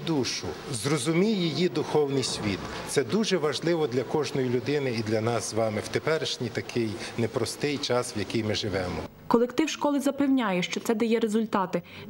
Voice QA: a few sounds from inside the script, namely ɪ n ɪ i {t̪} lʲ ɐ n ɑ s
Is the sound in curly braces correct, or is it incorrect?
incorrect